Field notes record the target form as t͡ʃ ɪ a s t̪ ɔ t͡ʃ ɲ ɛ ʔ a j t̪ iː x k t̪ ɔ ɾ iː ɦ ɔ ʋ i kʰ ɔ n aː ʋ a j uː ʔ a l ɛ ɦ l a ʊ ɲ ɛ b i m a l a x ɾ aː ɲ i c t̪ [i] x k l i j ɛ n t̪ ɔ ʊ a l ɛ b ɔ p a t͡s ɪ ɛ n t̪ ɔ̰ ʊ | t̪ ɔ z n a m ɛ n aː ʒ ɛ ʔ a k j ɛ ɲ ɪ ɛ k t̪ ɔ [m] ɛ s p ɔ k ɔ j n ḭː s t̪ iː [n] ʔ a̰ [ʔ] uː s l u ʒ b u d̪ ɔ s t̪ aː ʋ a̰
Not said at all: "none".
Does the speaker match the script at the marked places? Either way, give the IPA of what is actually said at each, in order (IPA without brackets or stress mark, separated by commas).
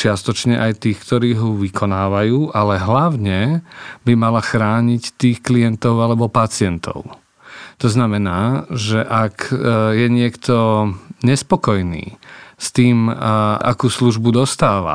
iː, ɲ, m, k